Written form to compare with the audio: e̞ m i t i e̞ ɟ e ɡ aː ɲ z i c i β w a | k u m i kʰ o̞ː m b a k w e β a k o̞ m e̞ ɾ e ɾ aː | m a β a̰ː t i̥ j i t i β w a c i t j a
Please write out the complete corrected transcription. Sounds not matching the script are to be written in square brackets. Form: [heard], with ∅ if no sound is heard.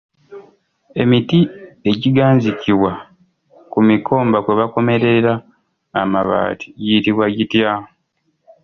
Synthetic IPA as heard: e̞ m i t i e̞ ɟ [i] ɡ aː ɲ z i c i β w a | k u m i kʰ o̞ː m b a k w e β a k o̞ m e̞ ɾ e ɾ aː | m a β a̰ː t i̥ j i t i β w a [ɟ] i t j a

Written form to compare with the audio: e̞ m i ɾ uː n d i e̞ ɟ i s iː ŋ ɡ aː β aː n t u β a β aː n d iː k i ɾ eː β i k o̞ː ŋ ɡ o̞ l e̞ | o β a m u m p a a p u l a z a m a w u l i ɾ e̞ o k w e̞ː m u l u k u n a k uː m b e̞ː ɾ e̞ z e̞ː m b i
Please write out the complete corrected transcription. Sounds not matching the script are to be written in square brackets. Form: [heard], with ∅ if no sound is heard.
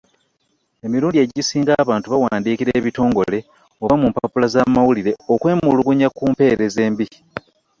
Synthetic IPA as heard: e̞ m i ɾ uː n d i e̞ ɟ i s iː ŋ ɡ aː β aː n t u β a [w] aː n d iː k i ɾ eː β i [t] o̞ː ŋ ɡ o̞ l e̞ | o β a m u m p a a p u l a z a m a w u l i ɾ e̞ o k w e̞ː m u l u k u [ɲ] a k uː m [p] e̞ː ɾ e̞ z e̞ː m b i

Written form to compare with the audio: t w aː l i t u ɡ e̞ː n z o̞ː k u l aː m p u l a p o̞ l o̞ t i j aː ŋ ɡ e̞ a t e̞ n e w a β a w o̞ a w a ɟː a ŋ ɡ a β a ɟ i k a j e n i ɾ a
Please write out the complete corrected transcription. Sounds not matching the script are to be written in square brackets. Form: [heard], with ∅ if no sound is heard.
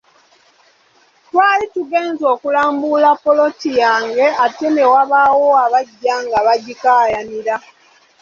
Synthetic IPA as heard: t w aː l i t u ɡ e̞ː n z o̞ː k u l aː m [b] u l a p o̞ l o̞ t i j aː ŋ ɡ e̞ a t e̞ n e w a β a w o̞ a [β] a ɟː a ŋ ɡ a β a ɟ i k a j [a] n i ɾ a

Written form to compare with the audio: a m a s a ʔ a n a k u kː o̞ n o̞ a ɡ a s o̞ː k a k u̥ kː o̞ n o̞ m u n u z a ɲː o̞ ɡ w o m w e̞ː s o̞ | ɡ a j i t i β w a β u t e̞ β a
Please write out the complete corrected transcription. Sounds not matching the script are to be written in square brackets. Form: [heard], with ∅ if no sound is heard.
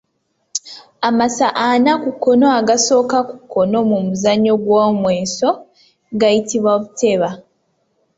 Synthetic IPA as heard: a m a s a ʔ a n a k u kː o̞ n o̞ a ɡ a s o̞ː k a k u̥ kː o̞ n o̞ m u [m] u z a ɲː o̞ ɡ w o m w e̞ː s o̞ | ɡ a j i t i β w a β u t e̞ β a

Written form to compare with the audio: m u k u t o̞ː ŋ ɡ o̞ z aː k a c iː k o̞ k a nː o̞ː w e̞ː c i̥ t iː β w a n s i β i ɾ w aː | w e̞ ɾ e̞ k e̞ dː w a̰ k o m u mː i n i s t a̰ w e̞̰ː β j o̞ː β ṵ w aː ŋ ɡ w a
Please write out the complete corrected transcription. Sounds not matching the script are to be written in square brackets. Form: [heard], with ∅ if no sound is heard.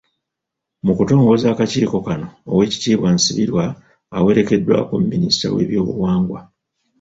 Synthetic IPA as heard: m u k u t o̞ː ŋ ɡ o̞ z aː k a c iː k o̞ k a [n] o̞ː w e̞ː c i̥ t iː β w a n s i β i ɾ w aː | w e̞ ɾ e̞ k e̞ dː w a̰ k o m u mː i n i s t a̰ w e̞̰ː β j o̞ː β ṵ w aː ŋ ɡ w a

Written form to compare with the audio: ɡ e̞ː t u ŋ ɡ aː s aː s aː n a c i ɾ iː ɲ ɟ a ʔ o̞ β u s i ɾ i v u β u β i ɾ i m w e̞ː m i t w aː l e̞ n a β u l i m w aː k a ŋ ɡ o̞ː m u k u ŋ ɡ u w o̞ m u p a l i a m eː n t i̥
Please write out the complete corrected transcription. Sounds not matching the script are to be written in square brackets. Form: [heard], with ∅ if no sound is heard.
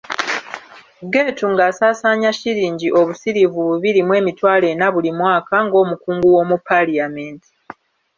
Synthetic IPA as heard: ɡ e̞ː t u ŋ ɡ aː s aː s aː [ɲ] a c i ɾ iː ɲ ɟ [i] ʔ o̞ β u s i ɾ i v u β u β i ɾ i m w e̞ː m i t w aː l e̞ n a β u l i m w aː k a ŋ ɡ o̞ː m u k [uː] ŋ ɡ u w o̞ m u p a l i a m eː n t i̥

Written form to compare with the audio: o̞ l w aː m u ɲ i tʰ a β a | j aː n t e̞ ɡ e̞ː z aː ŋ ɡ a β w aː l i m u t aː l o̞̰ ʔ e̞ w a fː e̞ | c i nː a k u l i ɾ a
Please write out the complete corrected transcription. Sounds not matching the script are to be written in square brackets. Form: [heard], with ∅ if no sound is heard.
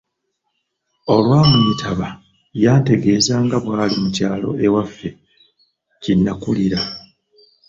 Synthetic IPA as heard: o̞ l w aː m u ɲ i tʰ a β a | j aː n t e̞ ɡ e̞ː z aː ŋ ɡ a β w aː l i m u [c] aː l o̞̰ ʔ e̞ w a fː e̞ | c i nː a k u l i ɾ a

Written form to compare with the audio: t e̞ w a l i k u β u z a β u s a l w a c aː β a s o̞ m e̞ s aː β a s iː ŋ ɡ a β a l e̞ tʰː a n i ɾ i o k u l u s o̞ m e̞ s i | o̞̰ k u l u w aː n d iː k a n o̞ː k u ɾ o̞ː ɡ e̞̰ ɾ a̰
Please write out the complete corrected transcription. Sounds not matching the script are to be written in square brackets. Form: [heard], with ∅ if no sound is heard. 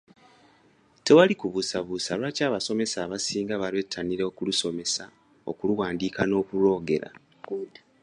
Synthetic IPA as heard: t e̞ w a l i k u β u [s] a β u s a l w a c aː β a s o̞ m e̞ s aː β a s iː ŋ ɡ a β a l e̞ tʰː a n i ɾ [e] o k u l u s o̞ m e̞ s [a] | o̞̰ k u l u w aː n d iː k a n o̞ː k u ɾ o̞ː ɡ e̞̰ ɾ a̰

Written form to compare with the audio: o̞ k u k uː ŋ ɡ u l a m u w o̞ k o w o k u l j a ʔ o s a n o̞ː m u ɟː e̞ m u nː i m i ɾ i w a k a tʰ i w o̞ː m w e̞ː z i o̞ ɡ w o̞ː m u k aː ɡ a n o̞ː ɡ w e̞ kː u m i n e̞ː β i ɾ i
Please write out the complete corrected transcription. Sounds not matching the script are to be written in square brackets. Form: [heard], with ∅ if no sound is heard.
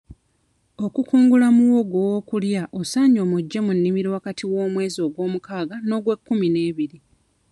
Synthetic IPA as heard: o̞ k u k uː ŋ ɡ u l a m u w o̞ [ɡ] o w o k u l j a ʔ o s a [ɲ] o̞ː m u ɟː e̞ m u nː i m i ɾ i w a k a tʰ i w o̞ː m w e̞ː z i o̞ ɡ w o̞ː m u k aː ɡ a n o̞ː ɡ w e̞ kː u m i n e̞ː β i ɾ i

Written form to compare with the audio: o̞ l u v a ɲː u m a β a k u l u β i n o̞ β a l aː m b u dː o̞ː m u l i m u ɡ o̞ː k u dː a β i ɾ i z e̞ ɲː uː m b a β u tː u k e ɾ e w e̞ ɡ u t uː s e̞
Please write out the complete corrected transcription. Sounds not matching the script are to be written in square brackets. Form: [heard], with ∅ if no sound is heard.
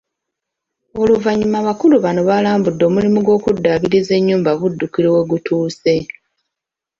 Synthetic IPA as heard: o̞ l u v a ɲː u m a β a k u l u β [a] n o̞ β a l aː m b u dː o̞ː m u l i m u ɡ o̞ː k u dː a β i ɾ i z e̞ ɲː uː m b a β u [dː] u k [i] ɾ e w e̞ ɡ u t uː s e̞

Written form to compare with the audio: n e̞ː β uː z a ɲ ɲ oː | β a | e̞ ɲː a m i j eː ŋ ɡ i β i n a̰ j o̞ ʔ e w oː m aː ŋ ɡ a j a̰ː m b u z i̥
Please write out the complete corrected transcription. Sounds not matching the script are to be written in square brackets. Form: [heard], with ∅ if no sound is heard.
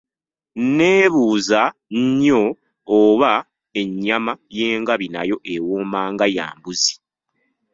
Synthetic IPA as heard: n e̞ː β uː z a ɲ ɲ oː | β a | e̞ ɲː a m [a] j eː ŋ ɡ [a] β i n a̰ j o̞ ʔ e w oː m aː ŋ ɡ a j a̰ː m b u z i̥

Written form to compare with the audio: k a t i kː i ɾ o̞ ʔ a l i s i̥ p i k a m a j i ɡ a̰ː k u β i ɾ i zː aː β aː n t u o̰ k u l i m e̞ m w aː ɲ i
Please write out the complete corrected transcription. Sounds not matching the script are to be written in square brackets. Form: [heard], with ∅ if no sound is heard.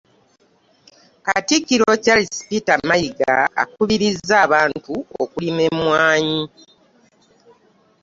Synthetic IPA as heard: k a t i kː i ɾ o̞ [c] a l i s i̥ p i [t] a m a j i ɡ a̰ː k u β i ɾ i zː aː β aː n t u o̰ k u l i m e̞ m w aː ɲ i

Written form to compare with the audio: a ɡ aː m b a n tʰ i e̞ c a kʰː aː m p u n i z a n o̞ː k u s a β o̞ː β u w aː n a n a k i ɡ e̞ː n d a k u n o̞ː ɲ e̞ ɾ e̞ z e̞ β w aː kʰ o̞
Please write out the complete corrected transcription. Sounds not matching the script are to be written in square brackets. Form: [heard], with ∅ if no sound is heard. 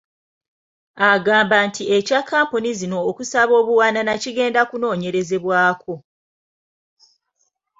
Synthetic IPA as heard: a ɡ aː m b a n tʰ i e̞ c a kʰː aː m p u n i z [i] n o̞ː k u s a β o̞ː β u w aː n a n a [c] i ɡ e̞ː n d a k u n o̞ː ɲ e̞ ɾ e̞ z e̞ β w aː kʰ o̞

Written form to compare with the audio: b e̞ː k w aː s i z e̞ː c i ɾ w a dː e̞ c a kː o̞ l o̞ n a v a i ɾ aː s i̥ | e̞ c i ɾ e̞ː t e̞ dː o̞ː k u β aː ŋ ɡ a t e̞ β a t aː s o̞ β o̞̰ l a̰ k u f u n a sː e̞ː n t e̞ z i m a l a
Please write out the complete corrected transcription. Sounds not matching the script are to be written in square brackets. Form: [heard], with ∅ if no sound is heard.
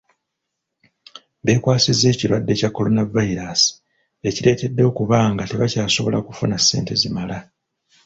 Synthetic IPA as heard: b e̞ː k w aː s i z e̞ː c i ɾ w a dː e̞ c a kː o̞ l o̞ n a v a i ɾ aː s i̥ | e̞ c i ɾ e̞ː t e̞ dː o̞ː k u β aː ŋ ɡ a t e̞ β a [c] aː s o̞ β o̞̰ l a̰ k u f u n a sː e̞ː n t e̞ z i m a l a

